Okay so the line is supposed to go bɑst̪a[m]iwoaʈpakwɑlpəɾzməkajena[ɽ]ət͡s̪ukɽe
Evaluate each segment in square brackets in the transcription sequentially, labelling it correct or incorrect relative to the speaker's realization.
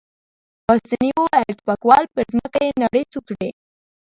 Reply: incorrect, correct

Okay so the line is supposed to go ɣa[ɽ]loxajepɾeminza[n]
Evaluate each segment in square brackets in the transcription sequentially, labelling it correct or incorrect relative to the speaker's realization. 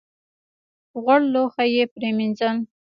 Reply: correct, correct

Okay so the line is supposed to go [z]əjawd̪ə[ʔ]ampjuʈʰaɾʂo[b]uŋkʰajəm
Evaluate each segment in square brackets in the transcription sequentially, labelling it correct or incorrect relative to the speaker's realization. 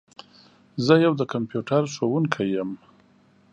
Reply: correct, incorrect, incorrect

